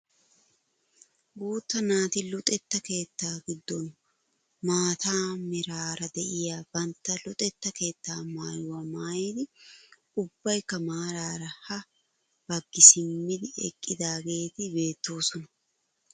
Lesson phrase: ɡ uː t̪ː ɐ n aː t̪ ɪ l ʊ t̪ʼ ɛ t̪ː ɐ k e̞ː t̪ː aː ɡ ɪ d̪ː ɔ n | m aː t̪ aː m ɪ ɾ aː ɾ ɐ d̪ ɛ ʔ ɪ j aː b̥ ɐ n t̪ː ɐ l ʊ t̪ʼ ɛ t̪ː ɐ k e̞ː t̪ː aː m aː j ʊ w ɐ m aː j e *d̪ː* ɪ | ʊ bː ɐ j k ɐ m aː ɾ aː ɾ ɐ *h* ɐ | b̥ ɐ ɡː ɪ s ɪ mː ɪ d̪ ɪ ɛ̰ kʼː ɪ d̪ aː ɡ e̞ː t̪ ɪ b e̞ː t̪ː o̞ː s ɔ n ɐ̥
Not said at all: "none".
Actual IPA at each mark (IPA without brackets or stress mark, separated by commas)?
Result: d̪, h